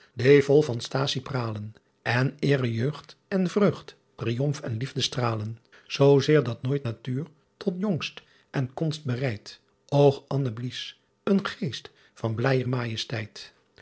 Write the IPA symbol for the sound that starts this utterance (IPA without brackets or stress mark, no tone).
d